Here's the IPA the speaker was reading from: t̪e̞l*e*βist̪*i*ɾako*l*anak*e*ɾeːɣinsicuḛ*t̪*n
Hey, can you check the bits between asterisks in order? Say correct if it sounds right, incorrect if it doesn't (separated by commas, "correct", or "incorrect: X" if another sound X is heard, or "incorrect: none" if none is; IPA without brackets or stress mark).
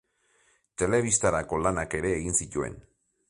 correct, incorrect: a, correct, correct, incorrect: none